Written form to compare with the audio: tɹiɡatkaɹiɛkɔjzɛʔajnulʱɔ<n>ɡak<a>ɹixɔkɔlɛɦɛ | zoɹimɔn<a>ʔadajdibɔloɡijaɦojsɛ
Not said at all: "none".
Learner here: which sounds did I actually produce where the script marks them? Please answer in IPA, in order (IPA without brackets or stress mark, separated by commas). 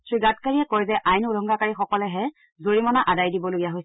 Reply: ŋ, a, a